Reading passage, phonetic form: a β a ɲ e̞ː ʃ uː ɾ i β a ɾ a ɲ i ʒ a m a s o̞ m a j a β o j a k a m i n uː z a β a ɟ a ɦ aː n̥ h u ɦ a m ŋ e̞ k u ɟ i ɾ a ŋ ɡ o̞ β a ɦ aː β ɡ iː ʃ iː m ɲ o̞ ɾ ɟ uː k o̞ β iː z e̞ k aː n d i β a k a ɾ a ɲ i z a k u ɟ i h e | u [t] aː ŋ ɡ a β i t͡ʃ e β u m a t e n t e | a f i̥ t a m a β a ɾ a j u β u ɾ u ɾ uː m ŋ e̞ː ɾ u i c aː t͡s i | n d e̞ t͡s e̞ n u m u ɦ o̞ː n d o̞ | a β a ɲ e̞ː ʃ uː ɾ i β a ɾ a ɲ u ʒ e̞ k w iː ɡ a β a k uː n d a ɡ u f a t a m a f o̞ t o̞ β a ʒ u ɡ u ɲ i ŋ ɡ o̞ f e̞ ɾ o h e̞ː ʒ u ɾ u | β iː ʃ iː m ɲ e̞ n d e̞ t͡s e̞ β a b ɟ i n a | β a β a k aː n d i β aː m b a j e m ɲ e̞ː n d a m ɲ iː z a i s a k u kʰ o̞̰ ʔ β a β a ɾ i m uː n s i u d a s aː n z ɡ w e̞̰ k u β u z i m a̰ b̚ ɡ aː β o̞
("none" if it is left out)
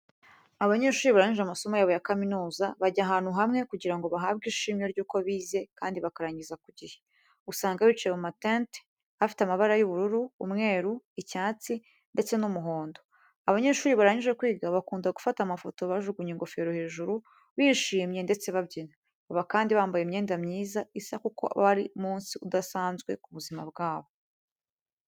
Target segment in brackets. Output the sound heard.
s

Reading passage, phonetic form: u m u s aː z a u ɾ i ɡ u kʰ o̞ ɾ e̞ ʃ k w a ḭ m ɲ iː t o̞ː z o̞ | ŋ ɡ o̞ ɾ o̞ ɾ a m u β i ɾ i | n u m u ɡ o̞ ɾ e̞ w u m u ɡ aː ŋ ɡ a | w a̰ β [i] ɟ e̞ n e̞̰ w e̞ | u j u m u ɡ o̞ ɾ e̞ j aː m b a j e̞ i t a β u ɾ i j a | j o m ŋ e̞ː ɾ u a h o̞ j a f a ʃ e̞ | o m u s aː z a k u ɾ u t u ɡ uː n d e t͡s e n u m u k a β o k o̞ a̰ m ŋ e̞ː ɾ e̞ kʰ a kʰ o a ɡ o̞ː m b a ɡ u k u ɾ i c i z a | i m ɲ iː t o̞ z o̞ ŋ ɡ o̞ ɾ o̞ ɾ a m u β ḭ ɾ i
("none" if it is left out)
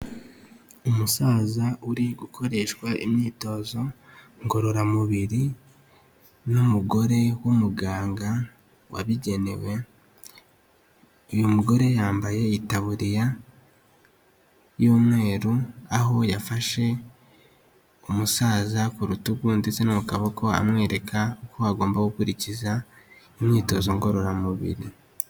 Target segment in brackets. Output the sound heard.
i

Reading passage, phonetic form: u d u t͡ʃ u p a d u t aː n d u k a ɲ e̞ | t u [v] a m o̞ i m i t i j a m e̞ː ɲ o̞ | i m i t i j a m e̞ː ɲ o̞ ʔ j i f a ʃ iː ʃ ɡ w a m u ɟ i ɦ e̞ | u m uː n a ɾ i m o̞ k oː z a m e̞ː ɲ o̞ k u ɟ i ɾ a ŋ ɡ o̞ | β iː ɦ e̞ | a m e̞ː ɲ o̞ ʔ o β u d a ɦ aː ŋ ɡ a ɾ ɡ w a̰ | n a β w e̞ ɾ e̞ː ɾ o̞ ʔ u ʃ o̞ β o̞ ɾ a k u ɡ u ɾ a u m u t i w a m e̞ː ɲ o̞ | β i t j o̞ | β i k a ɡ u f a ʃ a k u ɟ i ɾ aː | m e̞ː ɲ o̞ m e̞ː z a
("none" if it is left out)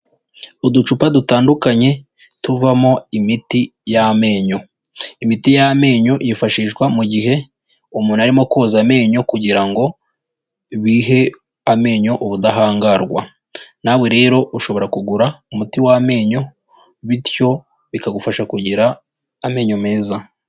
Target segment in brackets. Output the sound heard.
v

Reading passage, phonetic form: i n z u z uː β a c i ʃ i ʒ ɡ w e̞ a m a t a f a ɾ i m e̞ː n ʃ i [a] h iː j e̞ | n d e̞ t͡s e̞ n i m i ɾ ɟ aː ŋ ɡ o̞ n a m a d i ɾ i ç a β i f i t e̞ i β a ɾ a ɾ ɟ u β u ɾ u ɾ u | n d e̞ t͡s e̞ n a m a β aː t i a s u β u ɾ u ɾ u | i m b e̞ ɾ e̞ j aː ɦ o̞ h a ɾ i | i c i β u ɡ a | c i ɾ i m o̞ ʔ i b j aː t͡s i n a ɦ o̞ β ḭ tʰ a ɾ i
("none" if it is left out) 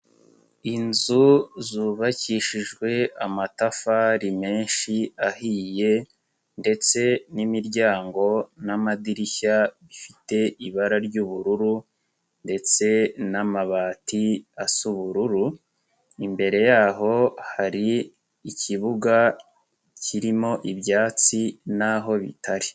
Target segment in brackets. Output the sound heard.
a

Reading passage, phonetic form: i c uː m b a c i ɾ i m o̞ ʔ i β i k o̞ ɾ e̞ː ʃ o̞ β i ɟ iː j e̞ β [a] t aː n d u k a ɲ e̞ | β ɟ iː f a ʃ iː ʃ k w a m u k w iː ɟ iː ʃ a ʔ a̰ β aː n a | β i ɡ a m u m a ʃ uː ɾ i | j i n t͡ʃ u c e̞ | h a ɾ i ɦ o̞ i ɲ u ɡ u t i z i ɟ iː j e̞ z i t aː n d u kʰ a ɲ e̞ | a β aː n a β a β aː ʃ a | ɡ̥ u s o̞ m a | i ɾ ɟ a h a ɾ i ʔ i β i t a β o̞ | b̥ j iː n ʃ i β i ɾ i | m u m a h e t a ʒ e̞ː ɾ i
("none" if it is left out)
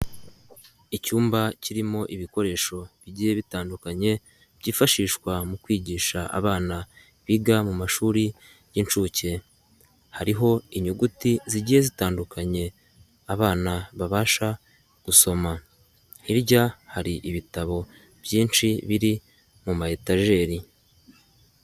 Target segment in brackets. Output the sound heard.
i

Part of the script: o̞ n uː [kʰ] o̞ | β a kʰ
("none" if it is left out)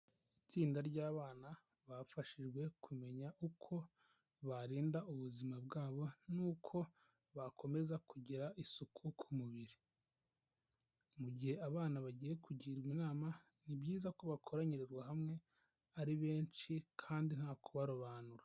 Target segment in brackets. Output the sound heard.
kʰ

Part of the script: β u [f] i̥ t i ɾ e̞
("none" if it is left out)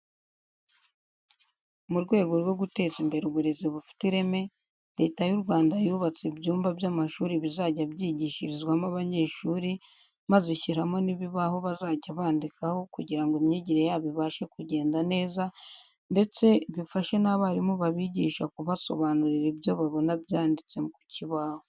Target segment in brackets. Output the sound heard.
f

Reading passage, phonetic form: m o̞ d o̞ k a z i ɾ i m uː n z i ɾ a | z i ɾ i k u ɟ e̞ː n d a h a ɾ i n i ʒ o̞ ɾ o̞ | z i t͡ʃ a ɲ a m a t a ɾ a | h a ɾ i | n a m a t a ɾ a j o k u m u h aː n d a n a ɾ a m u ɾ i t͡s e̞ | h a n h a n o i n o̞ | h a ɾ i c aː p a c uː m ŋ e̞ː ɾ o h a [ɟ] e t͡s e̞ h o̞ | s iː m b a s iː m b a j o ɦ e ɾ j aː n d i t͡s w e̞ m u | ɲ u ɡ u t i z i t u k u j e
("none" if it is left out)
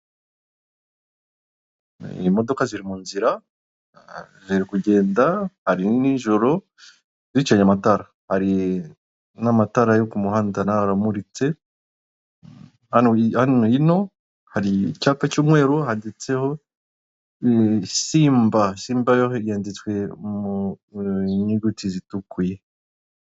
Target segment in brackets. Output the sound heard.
d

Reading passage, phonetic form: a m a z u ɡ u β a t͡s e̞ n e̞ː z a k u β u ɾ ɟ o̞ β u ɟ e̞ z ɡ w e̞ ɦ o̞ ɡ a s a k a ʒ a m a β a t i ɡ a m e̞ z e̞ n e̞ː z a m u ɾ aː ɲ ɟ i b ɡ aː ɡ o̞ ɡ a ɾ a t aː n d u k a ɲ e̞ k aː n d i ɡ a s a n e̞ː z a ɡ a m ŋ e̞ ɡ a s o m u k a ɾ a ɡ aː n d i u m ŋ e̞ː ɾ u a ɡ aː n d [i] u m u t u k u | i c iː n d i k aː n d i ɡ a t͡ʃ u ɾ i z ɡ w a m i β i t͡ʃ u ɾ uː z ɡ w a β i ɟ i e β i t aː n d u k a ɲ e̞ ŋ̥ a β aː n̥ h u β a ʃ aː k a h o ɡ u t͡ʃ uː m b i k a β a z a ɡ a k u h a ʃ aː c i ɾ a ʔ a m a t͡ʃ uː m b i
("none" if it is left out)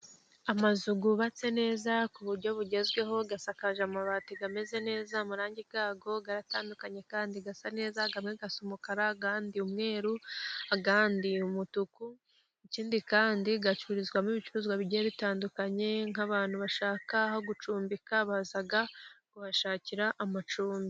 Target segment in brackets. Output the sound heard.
i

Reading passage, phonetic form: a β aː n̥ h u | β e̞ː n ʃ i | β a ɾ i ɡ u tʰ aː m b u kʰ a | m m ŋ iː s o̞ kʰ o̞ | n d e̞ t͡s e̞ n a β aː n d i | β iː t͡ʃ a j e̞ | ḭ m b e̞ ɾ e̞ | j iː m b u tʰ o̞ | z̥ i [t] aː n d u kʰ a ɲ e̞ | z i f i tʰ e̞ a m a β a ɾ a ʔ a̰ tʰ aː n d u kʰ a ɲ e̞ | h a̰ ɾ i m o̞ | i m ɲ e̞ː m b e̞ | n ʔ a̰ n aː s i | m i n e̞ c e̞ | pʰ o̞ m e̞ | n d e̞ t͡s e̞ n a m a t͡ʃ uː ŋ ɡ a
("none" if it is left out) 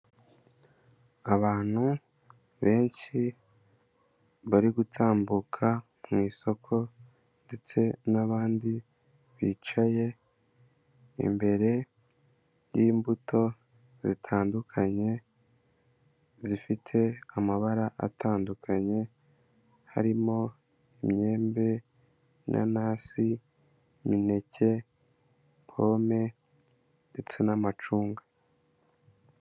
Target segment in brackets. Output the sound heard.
tʰ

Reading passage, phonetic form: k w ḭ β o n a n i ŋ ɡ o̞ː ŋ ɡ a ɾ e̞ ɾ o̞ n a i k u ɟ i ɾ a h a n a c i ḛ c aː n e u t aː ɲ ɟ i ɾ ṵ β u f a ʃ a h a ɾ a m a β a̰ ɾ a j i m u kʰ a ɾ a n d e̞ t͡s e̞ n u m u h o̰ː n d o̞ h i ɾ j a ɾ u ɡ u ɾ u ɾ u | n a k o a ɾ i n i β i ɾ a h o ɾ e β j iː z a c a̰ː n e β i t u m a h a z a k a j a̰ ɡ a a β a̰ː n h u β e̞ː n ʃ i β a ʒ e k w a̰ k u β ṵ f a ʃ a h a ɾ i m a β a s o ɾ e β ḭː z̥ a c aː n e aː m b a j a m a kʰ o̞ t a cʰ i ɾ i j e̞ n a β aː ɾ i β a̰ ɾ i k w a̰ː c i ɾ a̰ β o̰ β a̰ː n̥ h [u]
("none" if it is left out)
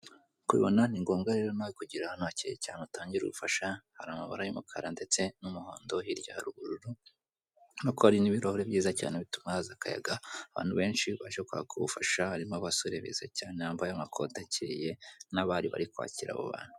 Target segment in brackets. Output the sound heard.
u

